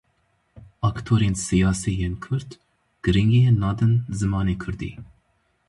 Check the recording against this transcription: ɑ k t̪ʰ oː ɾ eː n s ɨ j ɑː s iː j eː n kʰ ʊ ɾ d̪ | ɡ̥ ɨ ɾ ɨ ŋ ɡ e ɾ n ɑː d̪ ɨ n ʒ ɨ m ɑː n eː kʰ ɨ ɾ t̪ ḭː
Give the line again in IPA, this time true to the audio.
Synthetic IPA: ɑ k t̪ʰ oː ɾ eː n s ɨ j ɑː s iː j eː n kʰ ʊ ɾ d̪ | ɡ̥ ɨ ɾ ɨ ŋ ɡ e n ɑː d̪ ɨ n z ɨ m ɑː n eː kʰ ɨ ɾ d̪ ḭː